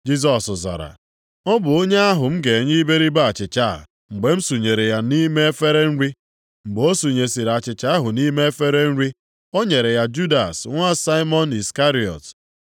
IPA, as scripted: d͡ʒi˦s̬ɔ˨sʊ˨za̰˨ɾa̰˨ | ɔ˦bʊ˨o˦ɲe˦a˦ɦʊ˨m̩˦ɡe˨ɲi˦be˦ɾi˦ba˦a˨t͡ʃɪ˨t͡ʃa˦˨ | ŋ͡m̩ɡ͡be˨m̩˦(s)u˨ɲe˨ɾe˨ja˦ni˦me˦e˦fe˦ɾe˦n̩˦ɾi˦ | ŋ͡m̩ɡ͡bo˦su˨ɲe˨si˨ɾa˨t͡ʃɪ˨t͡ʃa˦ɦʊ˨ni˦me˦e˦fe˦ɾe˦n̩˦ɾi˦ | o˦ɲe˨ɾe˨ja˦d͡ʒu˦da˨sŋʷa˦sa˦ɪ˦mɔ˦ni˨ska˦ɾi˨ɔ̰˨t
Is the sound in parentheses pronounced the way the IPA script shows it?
yes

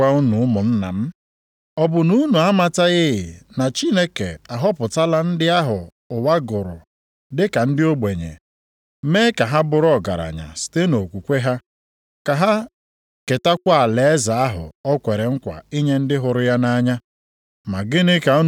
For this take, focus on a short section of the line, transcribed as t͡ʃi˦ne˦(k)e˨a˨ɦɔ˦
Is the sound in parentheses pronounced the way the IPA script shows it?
yes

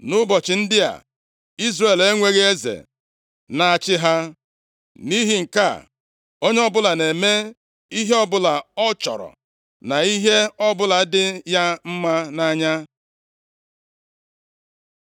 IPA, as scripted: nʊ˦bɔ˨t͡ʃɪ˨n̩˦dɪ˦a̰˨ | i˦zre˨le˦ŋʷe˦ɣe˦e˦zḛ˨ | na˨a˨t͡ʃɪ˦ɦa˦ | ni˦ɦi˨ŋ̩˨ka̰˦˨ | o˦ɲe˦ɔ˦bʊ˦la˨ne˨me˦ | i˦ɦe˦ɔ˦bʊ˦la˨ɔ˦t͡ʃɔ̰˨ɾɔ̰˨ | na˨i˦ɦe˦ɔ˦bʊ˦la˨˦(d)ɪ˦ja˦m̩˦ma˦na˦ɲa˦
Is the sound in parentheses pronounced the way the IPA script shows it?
yes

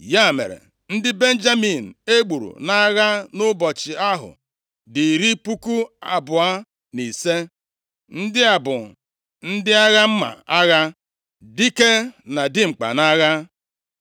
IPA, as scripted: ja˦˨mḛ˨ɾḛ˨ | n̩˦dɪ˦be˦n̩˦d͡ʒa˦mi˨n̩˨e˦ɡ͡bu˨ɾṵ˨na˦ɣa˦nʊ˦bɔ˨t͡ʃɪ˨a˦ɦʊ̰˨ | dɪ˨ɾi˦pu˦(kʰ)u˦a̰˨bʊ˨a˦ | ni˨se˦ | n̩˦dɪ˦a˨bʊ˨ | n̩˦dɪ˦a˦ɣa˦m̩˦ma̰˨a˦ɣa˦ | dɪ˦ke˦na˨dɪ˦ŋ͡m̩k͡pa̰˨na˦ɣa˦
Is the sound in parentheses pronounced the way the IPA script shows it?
no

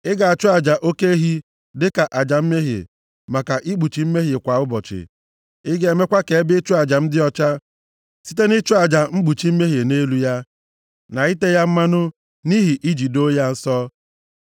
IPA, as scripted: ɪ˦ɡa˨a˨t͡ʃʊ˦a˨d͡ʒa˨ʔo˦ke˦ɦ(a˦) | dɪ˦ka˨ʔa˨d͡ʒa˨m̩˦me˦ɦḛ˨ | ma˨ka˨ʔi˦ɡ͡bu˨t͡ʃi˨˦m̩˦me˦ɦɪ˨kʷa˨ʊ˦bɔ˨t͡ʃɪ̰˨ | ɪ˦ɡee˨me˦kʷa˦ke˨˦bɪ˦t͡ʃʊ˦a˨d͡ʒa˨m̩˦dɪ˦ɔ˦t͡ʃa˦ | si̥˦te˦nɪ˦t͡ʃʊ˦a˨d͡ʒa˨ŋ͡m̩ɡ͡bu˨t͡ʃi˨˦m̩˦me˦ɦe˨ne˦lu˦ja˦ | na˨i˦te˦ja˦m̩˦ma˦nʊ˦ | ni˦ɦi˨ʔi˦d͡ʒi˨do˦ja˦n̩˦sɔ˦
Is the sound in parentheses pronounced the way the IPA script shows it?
no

